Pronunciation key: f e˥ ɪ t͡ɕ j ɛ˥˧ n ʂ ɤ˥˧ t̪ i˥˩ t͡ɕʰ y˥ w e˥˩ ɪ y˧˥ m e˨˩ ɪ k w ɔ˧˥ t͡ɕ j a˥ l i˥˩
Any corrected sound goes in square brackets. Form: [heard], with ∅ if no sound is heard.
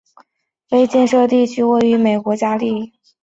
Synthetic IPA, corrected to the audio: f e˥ ɪ t͡ɕ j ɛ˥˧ n ʂ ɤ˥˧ t̪ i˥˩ t͡ɕʰ y˥ w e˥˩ ɪ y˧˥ m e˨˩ ɪ k w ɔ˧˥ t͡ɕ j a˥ l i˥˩